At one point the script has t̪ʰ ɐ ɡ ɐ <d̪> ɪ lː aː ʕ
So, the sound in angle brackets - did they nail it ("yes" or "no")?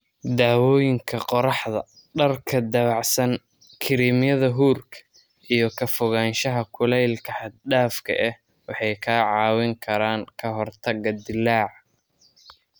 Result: yes